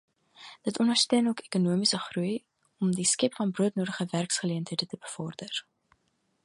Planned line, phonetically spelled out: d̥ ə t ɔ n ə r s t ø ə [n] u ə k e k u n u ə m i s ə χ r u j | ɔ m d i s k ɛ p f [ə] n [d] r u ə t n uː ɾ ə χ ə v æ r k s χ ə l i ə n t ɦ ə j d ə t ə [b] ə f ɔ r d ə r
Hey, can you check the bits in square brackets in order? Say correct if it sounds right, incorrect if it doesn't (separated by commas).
correct, incorrect, incorrect, correct